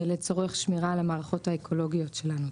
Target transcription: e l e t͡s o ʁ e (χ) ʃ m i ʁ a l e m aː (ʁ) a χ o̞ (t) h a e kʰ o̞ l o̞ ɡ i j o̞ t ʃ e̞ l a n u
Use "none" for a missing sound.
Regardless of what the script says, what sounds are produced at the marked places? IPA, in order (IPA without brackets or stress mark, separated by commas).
χ, ʁ, t